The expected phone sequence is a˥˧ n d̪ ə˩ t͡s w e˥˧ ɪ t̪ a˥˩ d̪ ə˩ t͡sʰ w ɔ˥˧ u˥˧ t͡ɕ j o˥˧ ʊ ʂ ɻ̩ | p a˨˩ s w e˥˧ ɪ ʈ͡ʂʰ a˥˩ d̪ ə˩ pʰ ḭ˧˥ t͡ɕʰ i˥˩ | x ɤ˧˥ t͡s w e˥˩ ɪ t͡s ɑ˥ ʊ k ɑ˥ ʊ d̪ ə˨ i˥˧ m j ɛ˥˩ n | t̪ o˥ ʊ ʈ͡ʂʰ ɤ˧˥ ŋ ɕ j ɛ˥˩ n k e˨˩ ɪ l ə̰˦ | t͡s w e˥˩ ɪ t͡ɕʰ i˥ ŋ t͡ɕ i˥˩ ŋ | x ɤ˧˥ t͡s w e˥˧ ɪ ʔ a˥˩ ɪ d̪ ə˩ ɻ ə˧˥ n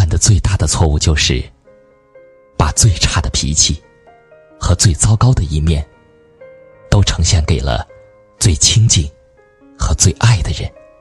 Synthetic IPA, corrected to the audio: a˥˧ n d̪ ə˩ t͡s w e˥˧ ɪ t̪ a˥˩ d̪ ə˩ t͡sʰ w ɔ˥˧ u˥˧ t͡ɕ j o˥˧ ʊ ʂ ɻ̩ | p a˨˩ t͡s w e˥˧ ɪ ʈ͡ʂʰ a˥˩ d̪ ə˩ pʰ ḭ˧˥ t͡ɕʰ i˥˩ | x ɤ˧˥ t͡s w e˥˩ ɪ t͡s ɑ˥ ʊ k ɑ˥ ʊ d̪ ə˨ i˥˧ m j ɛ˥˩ n | t̪ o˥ ʊ ʈ͡ʂʰ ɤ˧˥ ŋ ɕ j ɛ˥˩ n k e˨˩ ɪ l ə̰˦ | t͡s w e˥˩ ɪ t͡ɕʰ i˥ ŋ t͡ɕ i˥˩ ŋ | x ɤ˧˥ t͡s w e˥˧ ɪ ʔ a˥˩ ɪ d̪ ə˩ ɻ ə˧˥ n